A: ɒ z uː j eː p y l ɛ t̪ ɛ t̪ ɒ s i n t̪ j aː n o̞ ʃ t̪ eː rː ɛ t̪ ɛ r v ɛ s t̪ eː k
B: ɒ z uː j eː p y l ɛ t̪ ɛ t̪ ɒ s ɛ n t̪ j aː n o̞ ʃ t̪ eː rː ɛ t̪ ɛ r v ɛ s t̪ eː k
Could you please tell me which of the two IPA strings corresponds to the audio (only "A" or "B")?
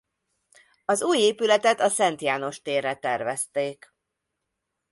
B